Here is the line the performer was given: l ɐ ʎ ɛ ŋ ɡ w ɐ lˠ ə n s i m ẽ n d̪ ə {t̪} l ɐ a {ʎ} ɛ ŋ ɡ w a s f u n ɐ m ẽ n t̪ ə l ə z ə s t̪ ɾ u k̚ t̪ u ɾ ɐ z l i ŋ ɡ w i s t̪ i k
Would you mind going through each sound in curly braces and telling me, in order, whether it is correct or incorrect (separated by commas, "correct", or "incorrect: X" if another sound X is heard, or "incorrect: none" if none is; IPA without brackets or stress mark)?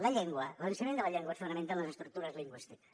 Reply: incorrect: none, correct